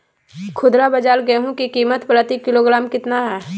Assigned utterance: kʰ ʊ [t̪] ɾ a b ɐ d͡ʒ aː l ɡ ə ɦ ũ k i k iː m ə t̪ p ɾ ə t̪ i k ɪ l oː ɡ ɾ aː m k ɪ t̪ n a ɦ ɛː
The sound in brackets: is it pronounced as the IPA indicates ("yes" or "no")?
no